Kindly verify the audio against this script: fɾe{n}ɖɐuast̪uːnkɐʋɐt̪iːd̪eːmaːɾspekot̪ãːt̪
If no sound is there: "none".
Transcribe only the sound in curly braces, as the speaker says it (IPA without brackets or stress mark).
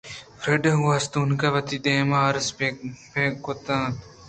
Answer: none